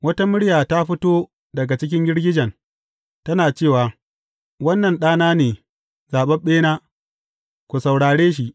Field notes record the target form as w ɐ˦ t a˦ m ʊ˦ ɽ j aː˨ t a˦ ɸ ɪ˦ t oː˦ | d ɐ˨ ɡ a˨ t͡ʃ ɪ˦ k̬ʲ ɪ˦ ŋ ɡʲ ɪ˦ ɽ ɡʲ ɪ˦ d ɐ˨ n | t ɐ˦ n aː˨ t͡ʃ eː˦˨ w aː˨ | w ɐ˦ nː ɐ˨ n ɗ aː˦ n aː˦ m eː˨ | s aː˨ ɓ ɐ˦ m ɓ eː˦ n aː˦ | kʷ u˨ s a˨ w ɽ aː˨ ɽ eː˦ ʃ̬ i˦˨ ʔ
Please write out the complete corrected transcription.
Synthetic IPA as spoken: w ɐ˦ t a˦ m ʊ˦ ɽ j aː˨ t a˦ ɸ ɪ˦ t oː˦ | d ɐ˨ ɡ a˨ t͡ʃ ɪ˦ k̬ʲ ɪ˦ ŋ ɡʲ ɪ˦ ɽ ɡʲ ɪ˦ d͡ʒ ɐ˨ n | t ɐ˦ n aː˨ t͡ʃ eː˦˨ w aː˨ | w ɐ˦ nː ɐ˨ n ɗ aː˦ n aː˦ n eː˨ | z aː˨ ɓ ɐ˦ m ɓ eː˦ n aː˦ | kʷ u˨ s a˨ w ɽ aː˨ ɽ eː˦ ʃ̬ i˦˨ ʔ

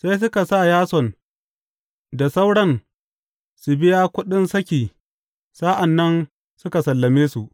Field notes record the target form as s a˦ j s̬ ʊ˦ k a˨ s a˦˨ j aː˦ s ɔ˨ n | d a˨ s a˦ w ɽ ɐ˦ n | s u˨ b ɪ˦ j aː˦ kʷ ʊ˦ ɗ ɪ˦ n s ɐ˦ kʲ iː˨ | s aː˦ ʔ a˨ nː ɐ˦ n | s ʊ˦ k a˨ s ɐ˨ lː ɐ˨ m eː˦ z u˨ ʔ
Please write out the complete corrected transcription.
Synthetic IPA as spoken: s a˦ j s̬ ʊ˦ k a˨ s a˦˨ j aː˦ s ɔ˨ n | d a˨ s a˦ w ɽ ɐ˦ n | s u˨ b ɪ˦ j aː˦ kʷ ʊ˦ ɗ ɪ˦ n s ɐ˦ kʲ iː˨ | s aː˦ ʔ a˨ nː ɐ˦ n | s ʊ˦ k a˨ s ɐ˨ lː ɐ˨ m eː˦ s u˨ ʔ

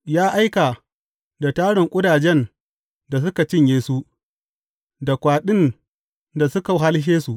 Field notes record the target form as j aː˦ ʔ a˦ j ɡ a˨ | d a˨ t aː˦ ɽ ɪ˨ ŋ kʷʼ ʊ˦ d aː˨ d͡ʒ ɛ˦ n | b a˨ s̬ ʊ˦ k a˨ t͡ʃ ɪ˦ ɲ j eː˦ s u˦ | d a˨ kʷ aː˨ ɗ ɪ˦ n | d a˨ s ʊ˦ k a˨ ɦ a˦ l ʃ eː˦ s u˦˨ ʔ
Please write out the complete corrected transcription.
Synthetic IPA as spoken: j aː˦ ʔ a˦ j k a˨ | d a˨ t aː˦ ɽ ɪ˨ ŋ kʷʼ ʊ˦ d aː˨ d͡ʒ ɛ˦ n | d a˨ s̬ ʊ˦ k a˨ t͡ʃ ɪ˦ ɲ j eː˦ s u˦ | d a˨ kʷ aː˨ ɗ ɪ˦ n | d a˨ s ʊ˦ k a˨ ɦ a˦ l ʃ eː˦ s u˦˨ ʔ

